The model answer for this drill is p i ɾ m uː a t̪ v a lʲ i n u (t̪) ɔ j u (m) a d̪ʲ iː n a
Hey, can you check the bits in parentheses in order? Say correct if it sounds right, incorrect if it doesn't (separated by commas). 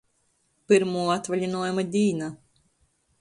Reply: incorrect, correct